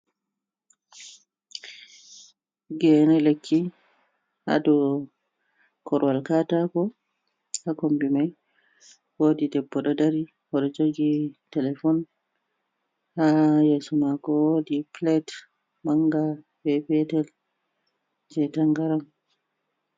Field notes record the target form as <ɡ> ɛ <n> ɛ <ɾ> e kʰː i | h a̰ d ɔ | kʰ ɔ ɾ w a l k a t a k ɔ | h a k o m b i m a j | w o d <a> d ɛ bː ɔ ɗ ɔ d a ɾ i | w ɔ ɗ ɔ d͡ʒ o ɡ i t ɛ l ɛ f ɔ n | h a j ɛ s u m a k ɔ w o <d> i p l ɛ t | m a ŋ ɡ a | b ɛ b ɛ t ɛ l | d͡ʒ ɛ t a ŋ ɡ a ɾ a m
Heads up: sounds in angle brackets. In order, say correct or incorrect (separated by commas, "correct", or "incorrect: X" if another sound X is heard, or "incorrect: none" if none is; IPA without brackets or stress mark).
correct, correct, incorrect: l, incorrect: i, correct